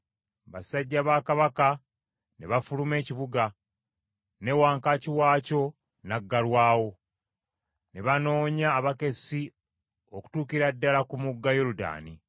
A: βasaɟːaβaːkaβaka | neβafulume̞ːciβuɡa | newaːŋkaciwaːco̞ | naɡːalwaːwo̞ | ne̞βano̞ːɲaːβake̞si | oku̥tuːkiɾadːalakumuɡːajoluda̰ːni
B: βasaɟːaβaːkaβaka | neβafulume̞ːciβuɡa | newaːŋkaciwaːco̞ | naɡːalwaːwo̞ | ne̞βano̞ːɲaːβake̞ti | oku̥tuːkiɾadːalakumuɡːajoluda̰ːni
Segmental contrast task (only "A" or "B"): A